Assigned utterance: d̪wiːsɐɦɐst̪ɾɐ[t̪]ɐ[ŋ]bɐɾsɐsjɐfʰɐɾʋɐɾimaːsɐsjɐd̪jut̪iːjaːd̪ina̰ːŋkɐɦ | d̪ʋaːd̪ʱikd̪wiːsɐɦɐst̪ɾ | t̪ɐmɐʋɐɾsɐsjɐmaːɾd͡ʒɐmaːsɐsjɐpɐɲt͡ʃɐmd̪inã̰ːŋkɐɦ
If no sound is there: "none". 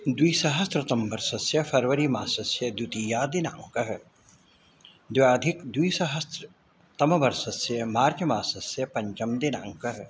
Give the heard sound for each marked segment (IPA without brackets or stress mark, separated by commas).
t̪, m